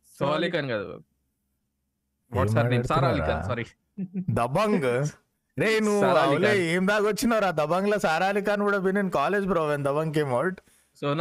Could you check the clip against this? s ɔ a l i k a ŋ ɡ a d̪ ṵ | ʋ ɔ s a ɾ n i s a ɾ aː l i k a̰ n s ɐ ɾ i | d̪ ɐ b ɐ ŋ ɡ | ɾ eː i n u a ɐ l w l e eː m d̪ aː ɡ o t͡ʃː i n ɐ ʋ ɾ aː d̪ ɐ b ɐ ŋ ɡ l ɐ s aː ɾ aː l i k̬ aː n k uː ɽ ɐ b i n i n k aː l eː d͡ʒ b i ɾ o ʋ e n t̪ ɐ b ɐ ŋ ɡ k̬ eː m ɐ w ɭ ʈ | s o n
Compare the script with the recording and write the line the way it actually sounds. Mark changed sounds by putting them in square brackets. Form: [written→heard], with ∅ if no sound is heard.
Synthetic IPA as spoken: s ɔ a l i k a [ŋ→n] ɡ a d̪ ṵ | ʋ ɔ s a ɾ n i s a ɾ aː l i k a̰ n s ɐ ɾ i | d̪ ɐ b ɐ ŋ ɡ | ɾ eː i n u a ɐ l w l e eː m d̪ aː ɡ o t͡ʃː i n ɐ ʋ ɾ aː d̪ ɐ b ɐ ŋ ɡ l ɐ s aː ɾ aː l i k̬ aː n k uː ɽ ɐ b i n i n k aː l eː d͡ʒ b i ɾ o ʋ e n [t̪→d̪] ɐ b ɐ ŋ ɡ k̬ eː m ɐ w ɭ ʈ | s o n